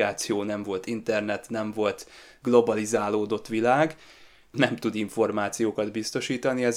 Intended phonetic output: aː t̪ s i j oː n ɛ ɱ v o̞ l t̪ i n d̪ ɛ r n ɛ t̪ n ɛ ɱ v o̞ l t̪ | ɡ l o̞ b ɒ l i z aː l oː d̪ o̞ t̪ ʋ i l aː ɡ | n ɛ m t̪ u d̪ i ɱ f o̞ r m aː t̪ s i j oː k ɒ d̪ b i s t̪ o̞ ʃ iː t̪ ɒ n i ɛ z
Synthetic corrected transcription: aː t̪ s i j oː n ɛ ɱ v o̞ l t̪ i n t̪ ɛ r n ɛ t̪ n ɛ ɱ v o̞ l t̪ | ɡ l o̞ b ɒ l i z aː l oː d̪ o̞ t̪ ʋ i l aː ɡ | n ɛ m t̪ u d̪ i ɱ f o̞ r m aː t̪ s i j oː k ɒ d̪ b i s t̪ o̞ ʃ iː t̪ ɒ n i ɛ z